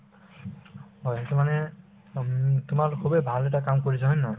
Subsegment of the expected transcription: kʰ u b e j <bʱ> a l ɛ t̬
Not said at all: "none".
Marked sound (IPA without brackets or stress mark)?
bʱ